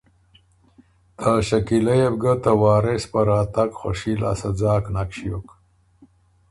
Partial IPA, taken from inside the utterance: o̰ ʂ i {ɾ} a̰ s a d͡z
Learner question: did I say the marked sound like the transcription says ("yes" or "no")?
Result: no